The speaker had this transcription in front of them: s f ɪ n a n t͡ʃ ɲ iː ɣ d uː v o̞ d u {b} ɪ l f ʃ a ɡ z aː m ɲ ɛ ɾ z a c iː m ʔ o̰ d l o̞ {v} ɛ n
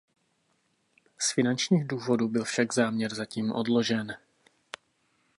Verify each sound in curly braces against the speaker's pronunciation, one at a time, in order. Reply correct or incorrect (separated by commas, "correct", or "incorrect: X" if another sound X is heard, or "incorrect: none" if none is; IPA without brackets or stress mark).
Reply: correct, incorrect: ʒ